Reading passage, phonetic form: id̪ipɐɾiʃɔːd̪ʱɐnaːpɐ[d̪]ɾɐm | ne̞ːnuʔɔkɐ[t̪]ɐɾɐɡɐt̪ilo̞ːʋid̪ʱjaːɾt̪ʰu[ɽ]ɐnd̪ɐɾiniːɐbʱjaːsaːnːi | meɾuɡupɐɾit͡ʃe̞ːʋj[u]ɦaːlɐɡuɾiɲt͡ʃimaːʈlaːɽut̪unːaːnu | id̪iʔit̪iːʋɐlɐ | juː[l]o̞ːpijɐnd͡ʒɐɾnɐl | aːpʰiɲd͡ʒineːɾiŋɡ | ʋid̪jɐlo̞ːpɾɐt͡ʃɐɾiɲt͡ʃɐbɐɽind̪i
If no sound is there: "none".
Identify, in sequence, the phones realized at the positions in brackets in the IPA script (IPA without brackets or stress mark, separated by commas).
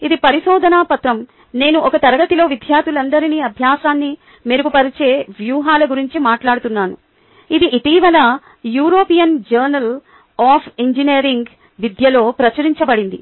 t̪, t̪, l, uː, ɾ